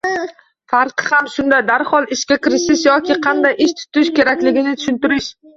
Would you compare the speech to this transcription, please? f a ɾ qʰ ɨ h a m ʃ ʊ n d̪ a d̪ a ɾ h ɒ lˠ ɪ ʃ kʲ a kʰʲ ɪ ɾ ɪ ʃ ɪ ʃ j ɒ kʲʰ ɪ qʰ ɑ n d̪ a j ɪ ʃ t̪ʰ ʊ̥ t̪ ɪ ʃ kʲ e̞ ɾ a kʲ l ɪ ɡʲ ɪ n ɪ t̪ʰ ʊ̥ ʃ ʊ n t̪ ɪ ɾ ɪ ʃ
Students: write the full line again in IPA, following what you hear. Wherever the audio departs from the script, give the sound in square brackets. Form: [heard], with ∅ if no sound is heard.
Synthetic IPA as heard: f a ɾ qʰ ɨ h a m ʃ ʊ n d̪ a d̪ a ɾ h ɒ lˠ ɪ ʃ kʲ a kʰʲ ɪ ɾ ɪ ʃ ɪ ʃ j ɒ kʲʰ ɪ qʰ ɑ n d̪ a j ɪ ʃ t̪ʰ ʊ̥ t̪ ɪ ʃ kʲ e̞ ɾ a kʲ l ɪ ɡʲ ɪ n ɪ t̪ʰ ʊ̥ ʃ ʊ n t̪ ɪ ɾ ɪ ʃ